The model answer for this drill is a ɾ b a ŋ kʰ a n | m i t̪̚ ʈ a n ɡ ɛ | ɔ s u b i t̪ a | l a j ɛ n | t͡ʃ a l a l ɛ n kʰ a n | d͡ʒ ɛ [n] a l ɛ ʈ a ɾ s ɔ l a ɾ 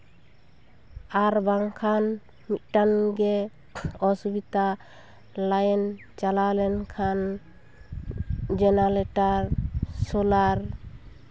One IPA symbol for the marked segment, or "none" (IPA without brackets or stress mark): n